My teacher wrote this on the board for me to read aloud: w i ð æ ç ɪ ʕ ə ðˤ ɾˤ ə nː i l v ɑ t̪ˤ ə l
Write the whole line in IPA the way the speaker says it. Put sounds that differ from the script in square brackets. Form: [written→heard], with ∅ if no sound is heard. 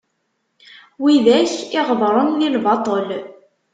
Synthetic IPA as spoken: w i ð æ ç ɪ [ʕ→ʁ] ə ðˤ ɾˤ ə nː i l v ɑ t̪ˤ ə l